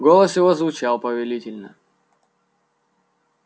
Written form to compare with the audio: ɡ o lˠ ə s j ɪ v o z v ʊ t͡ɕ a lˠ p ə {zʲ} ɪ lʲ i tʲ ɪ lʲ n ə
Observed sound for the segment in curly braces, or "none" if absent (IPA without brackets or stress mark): vʲ